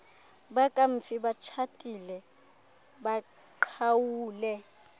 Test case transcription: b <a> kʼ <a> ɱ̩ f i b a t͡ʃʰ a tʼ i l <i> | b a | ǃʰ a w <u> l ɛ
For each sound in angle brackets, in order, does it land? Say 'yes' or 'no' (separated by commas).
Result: yes, yes, no, no